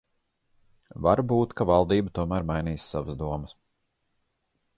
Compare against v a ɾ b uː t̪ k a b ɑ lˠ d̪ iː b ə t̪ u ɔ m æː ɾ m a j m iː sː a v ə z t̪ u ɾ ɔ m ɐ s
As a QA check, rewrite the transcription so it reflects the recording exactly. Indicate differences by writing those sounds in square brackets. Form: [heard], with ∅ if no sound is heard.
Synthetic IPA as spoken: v a ɾ b uː t̪ k a [v] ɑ lˠ d̪ iː b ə t̪ u ɔ m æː ɾ m a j [n] iː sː a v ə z [d̪] u [∅] ɔ m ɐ s